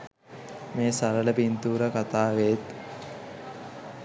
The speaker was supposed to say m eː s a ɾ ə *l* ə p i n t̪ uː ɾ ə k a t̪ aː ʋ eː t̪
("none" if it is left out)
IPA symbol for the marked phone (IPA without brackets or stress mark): l